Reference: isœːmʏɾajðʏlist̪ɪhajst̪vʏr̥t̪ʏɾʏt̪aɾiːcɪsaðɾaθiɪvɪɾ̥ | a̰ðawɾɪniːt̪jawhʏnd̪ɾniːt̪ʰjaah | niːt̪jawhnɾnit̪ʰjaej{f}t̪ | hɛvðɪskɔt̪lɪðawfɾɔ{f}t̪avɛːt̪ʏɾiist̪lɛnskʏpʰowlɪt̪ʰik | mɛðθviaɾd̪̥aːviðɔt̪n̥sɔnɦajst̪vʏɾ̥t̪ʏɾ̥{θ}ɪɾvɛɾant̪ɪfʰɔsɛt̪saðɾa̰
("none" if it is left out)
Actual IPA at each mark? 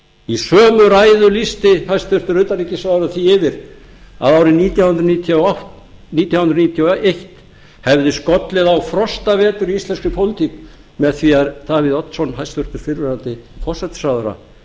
h, s, f

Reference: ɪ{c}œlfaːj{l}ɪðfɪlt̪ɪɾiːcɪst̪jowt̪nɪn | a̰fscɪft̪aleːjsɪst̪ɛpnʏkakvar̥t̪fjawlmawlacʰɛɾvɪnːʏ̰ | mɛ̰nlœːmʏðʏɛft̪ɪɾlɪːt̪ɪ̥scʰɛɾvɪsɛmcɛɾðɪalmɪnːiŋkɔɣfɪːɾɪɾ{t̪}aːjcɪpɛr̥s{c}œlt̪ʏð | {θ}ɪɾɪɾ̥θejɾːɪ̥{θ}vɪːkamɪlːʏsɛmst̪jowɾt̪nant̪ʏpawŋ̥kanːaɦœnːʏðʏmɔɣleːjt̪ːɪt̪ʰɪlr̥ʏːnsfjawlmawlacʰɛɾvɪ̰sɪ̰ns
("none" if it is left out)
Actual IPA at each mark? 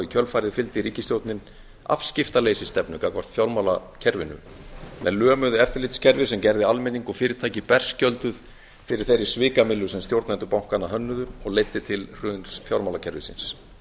cʰ, ɾ, t̪ʰ, c, f, s

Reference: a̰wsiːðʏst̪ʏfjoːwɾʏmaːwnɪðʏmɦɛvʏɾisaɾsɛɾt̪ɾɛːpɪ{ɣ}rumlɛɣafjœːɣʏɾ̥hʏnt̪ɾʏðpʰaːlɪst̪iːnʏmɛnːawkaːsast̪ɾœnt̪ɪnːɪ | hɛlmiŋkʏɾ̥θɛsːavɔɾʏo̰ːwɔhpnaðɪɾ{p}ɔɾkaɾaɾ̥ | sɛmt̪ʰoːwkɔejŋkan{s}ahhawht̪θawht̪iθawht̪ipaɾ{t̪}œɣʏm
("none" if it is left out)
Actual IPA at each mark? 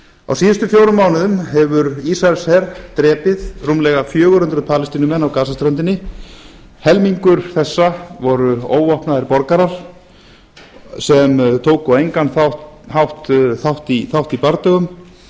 ð, p, θ, t̪

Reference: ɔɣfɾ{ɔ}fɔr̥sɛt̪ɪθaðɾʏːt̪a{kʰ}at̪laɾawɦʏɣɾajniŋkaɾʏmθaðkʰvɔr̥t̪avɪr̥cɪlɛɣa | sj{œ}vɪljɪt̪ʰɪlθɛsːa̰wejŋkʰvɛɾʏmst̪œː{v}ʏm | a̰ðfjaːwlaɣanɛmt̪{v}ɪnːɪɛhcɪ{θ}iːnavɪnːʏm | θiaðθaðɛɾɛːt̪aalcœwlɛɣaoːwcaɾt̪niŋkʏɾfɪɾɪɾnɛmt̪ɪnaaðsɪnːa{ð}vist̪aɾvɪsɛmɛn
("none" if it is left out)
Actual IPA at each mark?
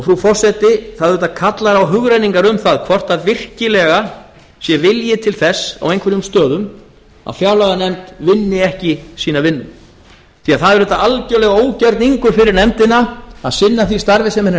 u, kʰ, ɛ, ð, v, s, θ

